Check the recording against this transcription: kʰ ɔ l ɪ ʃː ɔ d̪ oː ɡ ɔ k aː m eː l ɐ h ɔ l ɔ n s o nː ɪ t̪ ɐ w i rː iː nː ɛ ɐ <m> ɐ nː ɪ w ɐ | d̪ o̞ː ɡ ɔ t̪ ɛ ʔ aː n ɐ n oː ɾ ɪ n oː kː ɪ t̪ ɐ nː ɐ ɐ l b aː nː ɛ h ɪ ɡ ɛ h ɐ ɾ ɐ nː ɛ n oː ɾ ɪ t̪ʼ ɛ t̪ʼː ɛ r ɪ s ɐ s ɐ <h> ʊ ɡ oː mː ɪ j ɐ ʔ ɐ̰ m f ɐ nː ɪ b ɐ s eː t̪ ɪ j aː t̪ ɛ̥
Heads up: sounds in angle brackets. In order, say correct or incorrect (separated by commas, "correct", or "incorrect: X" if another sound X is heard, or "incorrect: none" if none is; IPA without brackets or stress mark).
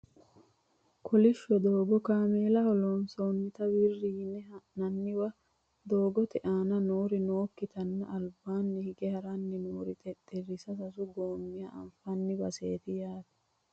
incorrect: n, incorrect: s